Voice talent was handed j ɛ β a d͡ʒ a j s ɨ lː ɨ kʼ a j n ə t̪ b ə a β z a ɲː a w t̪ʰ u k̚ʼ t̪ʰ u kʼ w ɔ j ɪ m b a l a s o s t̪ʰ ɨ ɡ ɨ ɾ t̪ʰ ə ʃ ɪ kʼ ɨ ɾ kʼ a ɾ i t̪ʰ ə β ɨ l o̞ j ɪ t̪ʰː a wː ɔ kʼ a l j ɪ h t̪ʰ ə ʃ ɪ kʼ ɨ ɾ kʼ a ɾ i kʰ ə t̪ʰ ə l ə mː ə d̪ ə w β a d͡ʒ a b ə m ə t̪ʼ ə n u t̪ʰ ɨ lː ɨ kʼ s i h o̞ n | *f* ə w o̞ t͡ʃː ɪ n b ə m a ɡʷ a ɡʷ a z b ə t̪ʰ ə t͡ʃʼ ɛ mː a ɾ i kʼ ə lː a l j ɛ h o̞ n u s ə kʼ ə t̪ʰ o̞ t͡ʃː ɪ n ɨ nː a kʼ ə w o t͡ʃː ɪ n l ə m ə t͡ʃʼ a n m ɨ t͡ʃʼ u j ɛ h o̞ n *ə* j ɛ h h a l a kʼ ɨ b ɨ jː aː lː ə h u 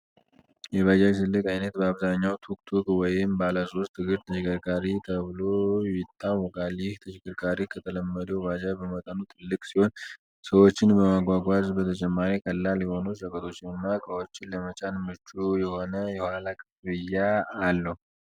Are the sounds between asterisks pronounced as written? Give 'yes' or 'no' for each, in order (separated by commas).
no, yes